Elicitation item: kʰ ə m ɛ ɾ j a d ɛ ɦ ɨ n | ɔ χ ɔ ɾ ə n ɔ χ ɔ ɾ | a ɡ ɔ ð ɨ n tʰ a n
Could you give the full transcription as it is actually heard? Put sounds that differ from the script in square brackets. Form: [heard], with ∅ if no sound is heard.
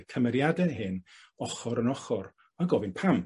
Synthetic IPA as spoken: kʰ ə m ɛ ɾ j a d ɛ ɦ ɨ n | ɔ χ ɔ ɾ ə n ɔ χ ɔ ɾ | a ɡ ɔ [v] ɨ n [pʰ] a [m]